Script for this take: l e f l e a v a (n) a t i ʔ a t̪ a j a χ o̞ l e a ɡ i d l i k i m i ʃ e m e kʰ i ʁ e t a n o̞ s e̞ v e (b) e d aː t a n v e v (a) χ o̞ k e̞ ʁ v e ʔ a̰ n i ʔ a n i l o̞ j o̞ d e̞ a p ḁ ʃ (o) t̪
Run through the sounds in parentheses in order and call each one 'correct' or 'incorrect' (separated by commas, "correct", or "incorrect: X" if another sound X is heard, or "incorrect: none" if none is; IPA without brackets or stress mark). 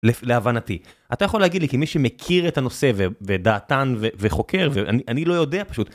correct, incorrect: v, incorrect: e, incorrect: u